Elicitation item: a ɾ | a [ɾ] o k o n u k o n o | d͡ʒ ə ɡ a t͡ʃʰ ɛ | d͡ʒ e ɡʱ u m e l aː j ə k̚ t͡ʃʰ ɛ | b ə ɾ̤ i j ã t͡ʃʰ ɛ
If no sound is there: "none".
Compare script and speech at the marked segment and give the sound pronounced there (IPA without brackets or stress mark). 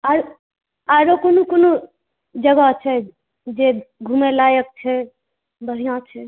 ɾ